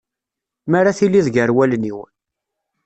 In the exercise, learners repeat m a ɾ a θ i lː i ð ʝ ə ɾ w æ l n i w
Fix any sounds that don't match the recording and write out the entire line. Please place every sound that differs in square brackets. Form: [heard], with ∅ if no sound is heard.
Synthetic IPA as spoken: m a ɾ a θ i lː i ð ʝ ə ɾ w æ l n i w